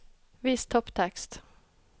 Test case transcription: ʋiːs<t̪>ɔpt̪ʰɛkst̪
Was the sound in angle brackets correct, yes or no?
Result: no